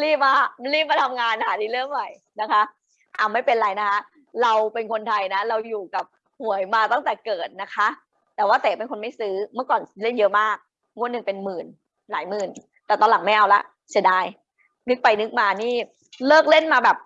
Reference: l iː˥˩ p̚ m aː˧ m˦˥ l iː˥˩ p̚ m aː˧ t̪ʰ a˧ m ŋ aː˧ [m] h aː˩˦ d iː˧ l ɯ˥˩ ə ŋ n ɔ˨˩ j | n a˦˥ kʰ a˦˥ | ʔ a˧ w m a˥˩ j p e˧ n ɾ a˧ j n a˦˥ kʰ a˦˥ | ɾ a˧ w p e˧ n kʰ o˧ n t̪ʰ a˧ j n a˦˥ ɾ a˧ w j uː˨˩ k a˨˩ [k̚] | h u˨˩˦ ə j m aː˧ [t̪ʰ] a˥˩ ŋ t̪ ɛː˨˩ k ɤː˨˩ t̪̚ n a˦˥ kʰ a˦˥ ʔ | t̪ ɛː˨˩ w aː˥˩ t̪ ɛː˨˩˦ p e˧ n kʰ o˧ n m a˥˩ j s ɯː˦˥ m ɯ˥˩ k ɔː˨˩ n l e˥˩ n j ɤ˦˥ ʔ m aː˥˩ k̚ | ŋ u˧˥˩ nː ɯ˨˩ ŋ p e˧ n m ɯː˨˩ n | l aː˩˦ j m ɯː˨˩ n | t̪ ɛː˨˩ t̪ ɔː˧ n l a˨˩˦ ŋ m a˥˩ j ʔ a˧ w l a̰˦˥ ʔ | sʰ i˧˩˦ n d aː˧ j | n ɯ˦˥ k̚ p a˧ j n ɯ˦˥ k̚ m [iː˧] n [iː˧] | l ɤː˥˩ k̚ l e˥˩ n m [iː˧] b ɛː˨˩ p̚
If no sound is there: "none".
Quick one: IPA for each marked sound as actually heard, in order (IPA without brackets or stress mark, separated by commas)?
n, p̚, t̪, aː˧, iː˥˩, aː˧